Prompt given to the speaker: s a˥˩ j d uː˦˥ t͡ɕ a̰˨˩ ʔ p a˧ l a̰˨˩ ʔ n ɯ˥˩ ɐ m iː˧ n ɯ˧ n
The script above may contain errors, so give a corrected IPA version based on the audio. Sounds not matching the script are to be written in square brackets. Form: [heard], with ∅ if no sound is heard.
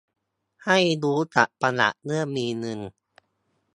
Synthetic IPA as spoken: [h] a˥˩ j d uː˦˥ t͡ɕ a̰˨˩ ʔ p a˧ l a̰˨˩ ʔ n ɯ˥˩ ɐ m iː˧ n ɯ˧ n